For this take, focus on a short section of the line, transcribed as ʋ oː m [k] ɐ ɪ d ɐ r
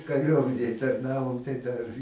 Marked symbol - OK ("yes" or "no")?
no